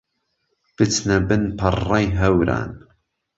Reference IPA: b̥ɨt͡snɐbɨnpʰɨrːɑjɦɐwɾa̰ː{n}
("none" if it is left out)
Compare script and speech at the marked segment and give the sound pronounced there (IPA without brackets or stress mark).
n